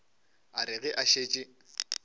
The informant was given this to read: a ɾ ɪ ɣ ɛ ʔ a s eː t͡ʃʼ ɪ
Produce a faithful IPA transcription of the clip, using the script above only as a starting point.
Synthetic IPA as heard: a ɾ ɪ ɣ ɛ ʔ a ʃ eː t͡ʃʼ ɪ